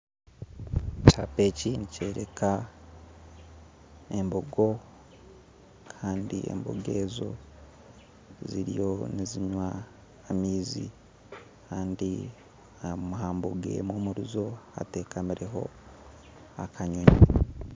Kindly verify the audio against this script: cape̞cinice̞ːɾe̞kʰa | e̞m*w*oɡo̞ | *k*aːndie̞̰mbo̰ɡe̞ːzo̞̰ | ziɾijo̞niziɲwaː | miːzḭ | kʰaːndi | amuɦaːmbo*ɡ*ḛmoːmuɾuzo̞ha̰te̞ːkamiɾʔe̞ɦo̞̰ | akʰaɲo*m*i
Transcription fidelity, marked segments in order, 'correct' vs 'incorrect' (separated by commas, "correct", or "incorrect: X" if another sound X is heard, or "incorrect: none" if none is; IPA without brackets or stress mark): incorrect: b, incorrect: kʰ, correct, incorrect: ɲ